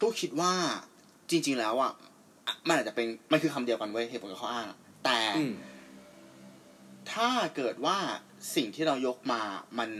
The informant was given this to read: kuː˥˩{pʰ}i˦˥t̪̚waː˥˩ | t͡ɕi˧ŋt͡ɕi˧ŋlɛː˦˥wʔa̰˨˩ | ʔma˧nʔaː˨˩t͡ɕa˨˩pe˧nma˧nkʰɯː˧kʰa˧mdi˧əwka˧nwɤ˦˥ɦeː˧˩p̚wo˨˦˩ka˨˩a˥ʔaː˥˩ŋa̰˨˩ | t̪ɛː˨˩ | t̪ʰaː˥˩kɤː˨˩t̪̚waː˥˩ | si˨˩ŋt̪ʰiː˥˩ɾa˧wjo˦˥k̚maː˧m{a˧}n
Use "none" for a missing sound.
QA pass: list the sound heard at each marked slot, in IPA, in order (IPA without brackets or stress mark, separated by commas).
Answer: kʰ, a˧